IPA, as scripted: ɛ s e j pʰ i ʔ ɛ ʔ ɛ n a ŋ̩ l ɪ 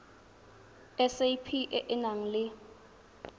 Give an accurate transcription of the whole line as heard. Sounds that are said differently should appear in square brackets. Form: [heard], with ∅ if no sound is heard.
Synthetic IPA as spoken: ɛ s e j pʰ i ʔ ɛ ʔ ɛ n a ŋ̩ l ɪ